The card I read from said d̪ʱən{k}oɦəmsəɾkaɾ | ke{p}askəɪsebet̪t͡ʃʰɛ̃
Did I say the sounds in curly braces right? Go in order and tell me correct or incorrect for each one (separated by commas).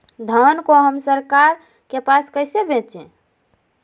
correct, correct